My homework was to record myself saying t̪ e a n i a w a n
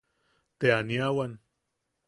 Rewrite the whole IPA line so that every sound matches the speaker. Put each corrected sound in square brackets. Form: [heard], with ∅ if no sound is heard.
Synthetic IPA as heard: t̪ e a n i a w a n